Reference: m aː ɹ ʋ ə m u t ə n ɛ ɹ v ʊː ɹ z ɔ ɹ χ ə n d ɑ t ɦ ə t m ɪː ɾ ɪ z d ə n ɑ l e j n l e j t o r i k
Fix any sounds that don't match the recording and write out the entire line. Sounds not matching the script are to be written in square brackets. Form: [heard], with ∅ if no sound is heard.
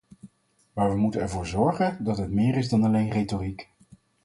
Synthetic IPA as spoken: m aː ɹ ʋ ə m u t ə n ɛ ɹ v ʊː ɹ z ɔ ɹ χ ə n d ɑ t ɦ ə t m ɪː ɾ ɪ z d [ɑ] n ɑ l e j n [r] e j t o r i k